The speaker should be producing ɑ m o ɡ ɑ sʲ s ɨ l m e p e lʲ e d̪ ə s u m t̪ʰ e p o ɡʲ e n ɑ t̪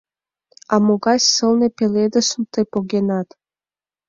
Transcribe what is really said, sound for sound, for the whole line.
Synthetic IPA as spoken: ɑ m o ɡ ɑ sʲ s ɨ l n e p e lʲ e d̪ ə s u m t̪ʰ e p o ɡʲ e n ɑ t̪